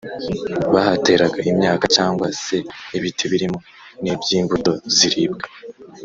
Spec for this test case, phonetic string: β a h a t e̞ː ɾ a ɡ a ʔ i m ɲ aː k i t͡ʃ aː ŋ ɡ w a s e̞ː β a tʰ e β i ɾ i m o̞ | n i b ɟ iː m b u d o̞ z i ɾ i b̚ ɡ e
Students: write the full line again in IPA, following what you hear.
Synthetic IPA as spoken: β a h a t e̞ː ɾ a ɡ a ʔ i m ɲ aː k a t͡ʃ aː ŋ ɡ w a s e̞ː β i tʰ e β i ɾ i m o̞ | n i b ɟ iː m b u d o̞ z i ɾ i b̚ ɡ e